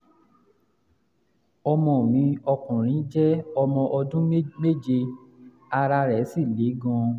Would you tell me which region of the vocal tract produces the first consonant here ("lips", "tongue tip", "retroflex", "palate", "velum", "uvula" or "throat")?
lips